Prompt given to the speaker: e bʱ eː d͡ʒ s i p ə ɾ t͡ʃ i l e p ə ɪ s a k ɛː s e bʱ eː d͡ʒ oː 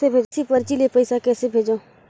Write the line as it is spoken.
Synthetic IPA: e bʱ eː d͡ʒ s i p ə ɾ t͡ʃ i l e p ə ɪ s a k ɛː s e bʱ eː d͡ʒ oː